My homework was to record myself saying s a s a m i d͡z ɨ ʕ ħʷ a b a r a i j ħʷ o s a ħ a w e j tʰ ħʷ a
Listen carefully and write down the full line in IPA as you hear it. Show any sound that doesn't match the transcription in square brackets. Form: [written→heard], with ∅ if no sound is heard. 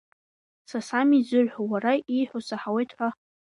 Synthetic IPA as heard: s a s a m i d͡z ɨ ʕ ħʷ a [b→w] a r a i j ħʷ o s a ħ a w e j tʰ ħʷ a